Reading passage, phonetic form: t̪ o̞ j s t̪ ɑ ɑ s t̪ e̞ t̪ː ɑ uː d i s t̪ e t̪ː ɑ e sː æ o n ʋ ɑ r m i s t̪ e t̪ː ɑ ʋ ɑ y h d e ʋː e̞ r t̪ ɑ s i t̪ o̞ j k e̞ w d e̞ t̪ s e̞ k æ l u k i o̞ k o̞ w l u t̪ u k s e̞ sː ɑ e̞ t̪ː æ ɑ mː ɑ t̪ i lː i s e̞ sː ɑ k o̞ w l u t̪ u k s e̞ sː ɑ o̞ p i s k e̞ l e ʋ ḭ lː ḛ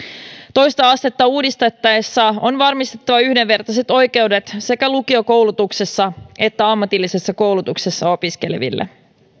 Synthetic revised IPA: t̪ o̞ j s t̪ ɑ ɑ s t̪ e̞ t̪ː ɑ uː d i s t̪ e t̪ː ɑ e sː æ o n ʋ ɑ r m i s t̪ e t̪ː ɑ ʋ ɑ y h d e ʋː e̞ r t̪ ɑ s e t̪ o̞ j k e̞ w d e̞ t̪ s e̞ k æ l u k i o̞ k o̞ w l u t̪ u k s e̞ sː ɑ e̞ t̪ː æ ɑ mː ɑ t̪ i lː i s e̞ sː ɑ k o̞ w l u t̪ u k s e̞ sː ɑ o̞ p i s k e̞ l e ʋ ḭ lː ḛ